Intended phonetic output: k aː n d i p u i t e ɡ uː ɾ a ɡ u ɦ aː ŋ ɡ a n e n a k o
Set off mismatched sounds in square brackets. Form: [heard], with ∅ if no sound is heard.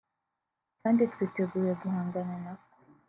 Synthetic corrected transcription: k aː n d i [t] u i t e ɡ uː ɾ [e] ɡ u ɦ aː ŋ ɡ a n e n a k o